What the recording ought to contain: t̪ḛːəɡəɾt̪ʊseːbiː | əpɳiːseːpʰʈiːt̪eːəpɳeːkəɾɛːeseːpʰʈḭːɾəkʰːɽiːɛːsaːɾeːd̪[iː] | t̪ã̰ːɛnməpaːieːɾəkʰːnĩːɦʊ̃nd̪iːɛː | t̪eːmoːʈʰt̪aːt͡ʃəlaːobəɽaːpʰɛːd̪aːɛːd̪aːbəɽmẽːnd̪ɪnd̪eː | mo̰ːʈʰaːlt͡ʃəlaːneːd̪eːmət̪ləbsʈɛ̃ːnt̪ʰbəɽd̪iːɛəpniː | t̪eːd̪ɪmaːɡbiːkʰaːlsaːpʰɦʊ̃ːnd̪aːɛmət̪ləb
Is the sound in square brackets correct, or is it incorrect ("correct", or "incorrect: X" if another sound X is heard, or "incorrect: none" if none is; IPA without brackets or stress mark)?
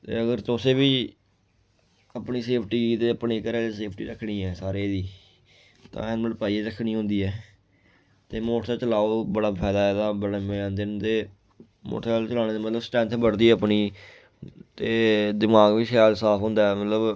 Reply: correct